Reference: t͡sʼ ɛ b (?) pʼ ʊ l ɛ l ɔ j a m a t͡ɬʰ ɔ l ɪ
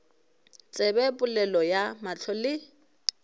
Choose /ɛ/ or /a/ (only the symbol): ɛ